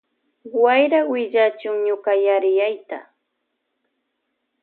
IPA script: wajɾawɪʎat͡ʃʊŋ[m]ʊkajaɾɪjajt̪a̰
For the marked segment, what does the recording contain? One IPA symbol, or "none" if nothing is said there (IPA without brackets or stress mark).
ɲ